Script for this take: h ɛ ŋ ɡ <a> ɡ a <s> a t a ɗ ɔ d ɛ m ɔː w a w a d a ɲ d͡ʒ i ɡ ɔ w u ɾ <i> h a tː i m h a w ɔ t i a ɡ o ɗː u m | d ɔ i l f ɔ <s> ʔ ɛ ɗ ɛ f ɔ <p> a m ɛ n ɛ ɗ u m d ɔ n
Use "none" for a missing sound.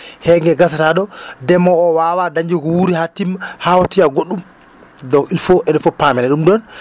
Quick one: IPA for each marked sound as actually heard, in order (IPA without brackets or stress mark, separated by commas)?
ɛ, s, i, none, p